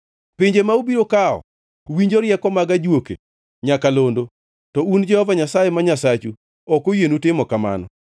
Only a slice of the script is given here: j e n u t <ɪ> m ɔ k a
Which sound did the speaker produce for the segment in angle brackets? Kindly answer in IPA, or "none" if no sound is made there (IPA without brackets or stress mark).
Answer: ɪ